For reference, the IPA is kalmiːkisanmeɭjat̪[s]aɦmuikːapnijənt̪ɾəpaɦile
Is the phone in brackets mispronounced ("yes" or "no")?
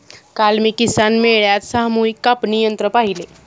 no